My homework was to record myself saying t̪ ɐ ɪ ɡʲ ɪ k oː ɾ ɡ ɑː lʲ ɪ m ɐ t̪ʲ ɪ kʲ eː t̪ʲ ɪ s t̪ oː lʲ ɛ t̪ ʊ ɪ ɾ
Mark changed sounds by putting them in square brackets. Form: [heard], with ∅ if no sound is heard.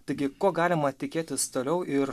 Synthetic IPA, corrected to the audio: t̪ ɐ ɪ ɡʲ ɪ k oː [∅] ɡ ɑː lʲ ɪ m ɐ t̪ʲ ɪ kʲ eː t̪ʲ ɪ s t̪ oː lʲ ɛ [∅] ʊ ɪ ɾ